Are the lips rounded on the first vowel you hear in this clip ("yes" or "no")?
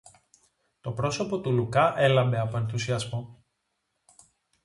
yes